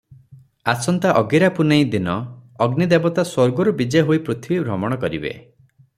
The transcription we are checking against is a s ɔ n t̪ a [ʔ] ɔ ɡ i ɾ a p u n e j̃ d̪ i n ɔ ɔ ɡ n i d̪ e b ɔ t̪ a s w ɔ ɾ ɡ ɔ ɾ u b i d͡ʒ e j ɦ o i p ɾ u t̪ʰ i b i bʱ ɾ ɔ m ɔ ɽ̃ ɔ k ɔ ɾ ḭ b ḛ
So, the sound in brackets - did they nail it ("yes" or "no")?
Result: yes